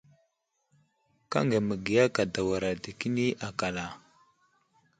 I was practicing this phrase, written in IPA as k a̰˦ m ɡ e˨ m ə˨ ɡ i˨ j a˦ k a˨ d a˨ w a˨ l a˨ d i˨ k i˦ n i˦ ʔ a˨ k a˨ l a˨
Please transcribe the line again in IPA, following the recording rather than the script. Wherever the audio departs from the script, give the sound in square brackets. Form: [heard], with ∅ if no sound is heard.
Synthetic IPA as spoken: k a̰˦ [ŋ] ɡ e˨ m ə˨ ɡ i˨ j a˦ k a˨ d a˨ w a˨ [ɾ] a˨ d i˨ k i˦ n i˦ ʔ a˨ k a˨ l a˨